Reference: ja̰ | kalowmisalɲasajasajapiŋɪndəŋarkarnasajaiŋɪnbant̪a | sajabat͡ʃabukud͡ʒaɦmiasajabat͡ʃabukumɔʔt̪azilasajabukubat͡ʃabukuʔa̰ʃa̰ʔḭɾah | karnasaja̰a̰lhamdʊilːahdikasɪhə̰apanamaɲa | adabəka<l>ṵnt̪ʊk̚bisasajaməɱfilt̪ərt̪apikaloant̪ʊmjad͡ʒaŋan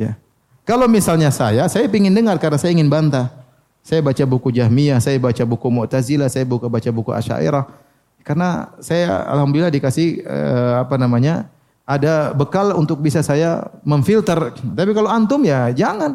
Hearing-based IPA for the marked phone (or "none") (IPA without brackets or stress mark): l